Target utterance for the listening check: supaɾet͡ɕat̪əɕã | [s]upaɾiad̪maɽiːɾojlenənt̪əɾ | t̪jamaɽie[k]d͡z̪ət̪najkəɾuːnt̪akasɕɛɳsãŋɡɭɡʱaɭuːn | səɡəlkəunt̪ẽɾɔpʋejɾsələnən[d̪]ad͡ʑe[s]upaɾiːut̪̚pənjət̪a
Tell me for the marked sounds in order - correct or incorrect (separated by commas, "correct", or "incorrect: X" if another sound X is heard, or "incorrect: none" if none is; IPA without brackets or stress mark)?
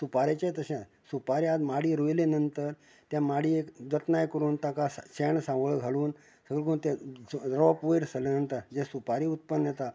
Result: correct, correct, incorrect: t̪, correct